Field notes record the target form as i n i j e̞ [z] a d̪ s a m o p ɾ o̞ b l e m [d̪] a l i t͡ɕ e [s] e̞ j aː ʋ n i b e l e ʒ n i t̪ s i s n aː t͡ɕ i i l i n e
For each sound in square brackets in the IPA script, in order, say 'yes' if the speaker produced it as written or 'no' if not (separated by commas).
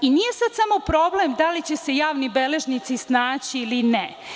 no, yes, yes